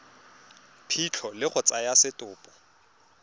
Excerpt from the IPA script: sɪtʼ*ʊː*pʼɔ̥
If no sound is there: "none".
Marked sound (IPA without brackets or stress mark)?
ʊː